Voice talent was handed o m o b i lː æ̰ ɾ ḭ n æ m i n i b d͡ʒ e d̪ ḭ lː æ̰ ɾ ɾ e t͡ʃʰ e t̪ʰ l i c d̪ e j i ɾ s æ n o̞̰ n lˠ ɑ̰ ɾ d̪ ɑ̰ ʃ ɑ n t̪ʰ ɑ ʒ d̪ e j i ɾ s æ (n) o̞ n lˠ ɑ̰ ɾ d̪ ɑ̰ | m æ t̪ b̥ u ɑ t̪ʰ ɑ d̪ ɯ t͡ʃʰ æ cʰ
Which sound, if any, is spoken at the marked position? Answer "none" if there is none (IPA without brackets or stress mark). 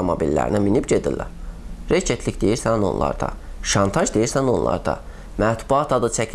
n